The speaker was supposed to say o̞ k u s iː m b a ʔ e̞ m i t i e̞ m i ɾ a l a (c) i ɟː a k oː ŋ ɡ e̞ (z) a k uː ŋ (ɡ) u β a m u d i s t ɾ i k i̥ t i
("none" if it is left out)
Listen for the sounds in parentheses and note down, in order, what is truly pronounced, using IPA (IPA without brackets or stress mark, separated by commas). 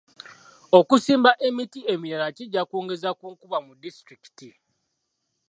c, z, k